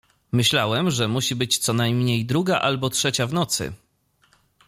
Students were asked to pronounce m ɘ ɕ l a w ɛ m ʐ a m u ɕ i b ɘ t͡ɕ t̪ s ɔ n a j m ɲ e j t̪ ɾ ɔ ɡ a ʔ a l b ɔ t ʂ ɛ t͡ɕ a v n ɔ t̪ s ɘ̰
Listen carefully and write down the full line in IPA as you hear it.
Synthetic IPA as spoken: m ɘ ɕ l a w ɛ m ʐ ɛ m u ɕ i b ɘ t͡ɕ t̪ s ɔ n a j m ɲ e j d̪ ɾ u ɡ a ʔ a l b ɔ t ʂ ɛ t͡ɕ a v n ɔ t̪ s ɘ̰